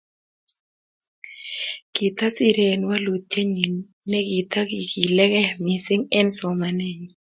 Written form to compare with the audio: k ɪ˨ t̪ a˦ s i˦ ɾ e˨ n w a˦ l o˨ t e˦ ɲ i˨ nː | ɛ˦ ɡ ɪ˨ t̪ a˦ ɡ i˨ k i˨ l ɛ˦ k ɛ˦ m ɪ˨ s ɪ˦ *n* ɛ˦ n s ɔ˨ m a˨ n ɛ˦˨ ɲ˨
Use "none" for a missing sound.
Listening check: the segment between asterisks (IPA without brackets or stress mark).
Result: ŋ